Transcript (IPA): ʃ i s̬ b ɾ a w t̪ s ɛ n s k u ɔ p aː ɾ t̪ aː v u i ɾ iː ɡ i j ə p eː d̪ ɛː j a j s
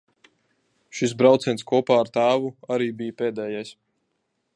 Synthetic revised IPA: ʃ i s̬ b ɾ a w t̪ s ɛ n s k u ɔ p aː ɾ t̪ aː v u a ɾ iː b i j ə p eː d̪ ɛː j a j s